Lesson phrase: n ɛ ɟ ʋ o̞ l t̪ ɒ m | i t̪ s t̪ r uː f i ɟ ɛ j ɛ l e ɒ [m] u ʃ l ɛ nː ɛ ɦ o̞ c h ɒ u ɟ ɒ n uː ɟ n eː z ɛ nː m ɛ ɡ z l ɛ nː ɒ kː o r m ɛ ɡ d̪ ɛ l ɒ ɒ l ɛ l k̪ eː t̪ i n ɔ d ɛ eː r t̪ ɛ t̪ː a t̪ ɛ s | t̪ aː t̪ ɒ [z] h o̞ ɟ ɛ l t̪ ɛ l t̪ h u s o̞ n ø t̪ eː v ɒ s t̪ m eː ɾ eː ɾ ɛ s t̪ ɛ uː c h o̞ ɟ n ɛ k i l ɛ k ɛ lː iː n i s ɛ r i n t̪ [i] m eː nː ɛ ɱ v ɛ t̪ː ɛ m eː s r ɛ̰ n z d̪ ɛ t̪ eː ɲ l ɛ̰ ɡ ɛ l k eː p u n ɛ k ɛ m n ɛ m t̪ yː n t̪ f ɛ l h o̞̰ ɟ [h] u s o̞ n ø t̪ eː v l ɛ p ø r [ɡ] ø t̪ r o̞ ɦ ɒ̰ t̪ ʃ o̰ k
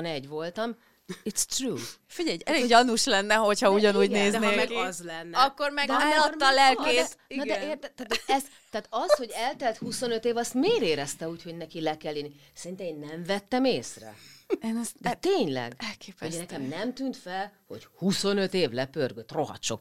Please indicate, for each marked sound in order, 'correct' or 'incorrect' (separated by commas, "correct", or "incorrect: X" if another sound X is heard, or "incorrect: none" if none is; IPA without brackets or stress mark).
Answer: incorrect: n, incorrect: s, incorrect: ɛ, correct, correct